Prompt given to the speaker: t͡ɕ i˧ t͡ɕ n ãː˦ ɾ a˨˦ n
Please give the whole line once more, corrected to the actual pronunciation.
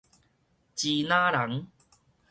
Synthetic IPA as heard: t͡ɕ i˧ n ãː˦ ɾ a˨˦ ŋ